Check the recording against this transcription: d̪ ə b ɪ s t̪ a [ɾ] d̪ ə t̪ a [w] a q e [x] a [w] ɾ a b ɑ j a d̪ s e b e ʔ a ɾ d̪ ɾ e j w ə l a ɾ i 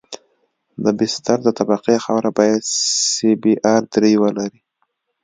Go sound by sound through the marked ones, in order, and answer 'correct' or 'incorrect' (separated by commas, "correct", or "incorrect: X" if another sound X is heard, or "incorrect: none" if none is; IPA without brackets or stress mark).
correct, incorrect: b, correct, correct